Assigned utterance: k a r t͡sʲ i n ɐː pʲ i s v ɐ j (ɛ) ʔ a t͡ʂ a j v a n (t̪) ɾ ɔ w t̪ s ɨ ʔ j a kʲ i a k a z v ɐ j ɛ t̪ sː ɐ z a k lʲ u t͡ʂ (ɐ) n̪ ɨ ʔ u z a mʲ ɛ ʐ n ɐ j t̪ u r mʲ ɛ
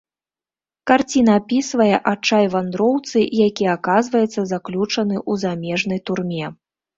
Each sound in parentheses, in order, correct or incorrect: correct, incorrect: d̪, correct

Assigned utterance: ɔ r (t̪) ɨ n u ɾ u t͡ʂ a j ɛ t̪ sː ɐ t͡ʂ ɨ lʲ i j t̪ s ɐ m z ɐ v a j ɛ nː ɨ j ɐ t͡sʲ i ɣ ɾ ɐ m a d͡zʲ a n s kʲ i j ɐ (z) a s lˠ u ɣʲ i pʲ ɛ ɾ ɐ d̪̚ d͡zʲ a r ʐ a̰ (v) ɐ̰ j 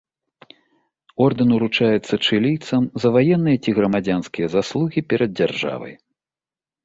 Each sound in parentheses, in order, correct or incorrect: incorrect: d̪, correct, correct

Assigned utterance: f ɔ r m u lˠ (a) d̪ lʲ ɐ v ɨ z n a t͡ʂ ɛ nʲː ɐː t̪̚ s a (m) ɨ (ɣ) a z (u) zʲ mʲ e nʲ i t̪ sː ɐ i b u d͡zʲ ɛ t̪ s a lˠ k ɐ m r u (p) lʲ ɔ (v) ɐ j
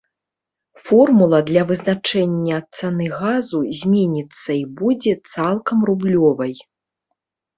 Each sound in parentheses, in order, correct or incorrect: incorrect: ɐ, incorrect: n, correct, correct, incorrect: b, correct

